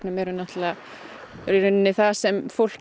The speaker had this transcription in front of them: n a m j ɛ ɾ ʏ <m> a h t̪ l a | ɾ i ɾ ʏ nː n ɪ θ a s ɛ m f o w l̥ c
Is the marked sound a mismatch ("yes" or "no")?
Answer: yes